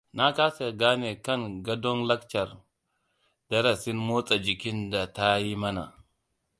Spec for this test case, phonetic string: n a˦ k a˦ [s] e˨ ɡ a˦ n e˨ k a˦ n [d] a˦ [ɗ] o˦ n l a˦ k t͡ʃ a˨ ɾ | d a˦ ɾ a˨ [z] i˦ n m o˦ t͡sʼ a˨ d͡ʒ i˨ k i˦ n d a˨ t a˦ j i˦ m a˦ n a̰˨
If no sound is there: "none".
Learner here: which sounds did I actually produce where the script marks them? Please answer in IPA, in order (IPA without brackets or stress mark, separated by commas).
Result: s, ɡ, d, s